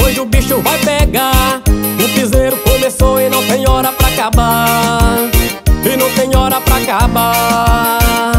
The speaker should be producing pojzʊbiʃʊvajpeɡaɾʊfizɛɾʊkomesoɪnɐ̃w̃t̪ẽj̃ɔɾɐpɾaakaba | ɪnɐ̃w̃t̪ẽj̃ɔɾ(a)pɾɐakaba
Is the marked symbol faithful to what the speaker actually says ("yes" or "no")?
no